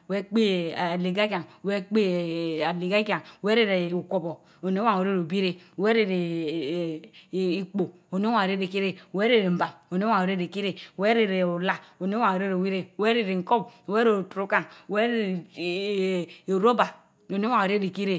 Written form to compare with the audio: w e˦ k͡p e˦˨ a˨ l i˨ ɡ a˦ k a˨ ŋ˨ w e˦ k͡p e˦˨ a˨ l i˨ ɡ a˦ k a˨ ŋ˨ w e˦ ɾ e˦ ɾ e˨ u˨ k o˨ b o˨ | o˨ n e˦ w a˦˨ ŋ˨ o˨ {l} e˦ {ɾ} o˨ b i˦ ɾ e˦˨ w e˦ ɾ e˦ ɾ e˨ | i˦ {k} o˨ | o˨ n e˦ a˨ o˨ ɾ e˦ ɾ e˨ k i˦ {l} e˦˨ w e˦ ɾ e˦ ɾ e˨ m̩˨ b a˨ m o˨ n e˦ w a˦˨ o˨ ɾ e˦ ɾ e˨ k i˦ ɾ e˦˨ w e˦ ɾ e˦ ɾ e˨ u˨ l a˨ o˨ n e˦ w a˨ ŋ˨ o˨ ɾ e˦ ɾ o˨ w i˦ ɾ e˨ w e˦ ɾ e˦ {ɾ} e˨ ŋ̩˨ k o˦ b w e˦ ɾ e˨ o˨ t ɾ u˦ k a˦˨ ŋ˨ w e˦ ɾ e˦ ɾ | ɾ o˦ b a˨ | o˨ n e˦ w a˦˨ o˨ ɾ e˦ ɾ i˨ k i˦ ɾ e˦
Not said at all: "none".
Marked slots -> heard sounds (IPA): ɾ, ɾ, k͡p, ɾ, ɾ

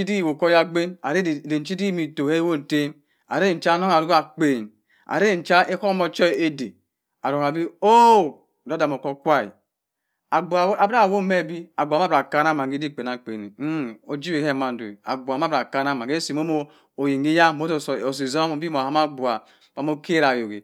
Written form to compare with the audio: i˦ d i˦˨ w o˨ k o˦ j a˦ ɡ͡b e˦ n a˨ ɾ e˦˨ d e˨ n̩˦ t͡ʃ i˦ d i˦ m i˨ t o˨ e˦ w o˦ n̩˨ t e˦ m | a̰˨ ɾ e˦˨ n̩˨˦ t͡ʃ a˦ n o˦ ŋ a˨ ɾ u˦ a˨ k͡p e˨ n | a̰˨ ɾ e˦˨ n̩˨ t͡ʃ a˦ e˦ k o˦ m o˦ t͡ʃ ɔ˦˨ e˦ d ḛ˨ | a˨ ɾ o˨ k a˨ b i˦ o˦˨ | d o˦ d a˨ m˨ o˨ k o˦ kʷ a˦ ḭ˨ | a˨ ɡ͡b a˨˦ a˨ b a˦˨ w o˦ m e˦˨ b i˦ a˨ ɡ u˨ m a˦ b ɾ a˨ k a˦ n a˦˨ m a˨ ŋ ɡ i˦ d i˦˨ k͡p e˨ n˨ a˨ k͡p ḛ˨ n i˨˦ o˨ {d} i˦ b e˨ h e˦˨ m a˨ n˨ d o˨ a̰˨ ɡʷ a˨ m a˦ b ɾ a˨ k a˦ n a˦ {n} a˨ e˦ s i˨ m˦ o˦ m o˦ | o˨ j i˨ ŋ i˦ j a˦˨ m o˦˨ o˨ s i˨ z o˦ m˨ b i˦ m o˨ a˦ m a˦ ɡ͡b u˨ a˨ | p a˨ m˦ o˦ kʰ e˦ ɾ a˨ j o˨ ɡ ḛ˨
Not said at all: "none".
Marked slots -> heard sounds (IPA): d͡ʒ, m

